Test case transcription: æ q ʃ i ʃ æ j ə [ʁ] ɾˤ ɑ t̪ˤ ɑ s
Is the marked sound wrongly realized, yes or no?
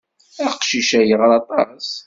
no